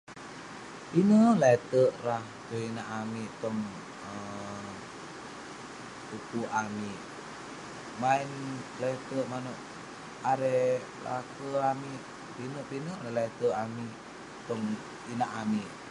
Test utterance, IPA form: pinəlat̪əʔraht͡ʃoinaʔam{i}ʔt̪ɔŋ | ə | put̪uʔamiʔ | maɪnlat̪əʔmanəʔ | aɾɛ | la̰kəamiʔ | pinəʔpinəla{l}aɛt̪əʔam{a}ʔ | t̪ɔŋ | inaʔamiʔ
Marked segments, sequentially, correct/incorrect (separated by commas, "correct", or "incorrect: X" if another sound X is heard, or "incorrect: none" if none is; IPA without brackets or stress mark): correct, correct, incorrect: i